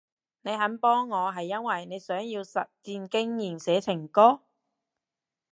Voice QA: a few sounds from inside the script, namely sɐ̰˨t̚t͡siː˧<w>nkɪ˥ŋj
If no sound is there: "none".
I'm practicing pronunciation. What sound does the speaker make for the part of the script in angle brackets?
none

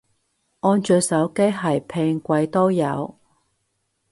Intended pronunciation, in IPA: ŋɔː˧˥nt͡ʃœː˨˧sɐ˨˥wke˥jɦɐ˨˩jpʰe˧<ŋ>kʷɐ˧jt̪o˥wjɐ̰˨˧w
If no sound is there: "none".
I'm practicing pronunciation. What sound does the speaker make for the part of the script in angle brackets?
ŋ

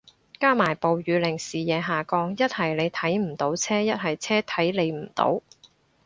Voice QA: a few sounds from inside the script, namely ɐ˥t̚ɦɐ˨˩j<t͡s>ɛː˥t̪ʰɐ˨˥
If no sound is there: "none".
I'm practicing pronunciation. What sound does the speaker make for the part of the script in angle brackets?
t͡sʰ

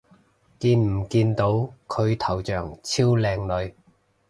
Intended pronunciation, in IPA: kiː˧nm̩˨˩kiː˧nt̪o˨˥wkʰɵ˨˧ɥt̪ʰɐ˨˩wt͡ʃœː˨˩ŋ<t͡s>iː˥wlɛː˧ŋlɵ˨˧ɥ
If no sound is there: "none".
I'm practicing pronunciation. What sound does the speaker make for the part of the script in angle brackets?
t͡sʰ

